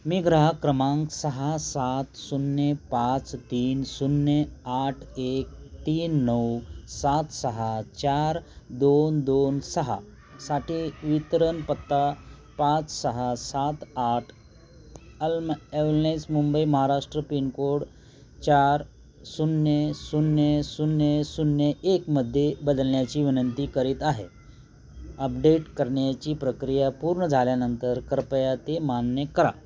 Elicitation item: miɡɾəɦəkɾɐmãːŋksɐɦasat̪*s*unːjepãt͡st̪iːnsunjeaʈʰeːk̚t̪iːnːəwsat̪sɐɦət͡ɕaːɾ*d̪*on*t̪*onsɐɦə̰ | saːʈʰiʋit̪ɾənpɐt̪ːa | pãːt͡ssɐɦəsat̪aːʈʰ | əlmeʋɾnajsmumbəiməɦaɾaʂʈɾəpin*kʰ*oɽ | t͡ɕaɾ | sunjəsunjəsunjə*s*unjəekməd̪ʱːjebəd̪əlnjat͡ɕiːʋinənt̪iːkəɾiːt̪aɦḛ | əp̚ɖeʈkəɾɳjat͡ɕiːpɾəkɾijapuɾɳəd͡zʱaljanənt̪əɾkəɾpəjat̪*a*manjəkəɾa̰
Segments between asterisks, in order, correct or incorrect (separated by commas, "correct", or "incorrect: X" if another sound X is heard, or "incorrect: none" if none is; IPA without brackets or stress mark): correct, correct, incorrect: d̪, incorrect: k, correct, incorrect: e